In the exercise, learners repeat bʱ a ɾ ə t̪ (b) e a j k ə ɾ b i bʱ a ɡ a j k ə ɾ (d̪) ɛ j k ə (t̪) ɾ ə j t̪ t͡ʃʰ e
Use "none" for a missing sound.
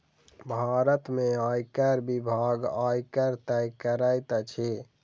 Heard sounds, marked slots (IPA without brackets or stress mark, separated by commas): m, t̪, none